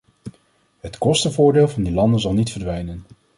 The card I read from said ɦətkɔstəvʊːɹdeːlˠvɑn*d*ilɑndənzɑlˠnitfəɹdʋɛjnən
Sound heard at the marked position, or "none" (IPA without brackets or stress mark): d